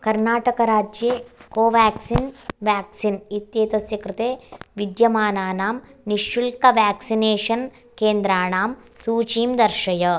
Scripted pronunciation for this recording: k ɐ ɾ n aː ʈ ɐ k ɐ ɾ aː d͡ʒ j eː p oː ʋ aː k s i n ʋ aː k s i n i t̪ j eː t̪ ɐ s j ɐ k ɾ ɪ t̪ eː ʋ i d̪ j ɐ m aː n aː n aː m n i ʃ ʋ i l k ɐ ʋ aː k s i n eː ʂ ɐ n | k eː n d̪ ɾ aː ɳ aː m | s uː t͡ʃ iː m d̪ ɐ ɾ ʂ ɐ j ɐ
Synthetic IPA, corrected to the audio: k ɐ ɾ n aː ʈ ɐ k ɐ ɾ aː d͡ʒ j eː k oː ʋ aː k s i n ʋ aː k s i n i t̪ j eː t̪ ɐ s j ɐ k ɾ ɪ t̪ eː ʋ i d̪ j ɐ m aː n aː n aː m n i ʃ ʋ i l k ɐ ʋ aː k s i n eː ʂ ɐ n | k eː n d̪ ɾ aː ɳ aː m | s uː t͡ʃ iː m d̪ ɐ ɾ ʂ ɐ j ɐ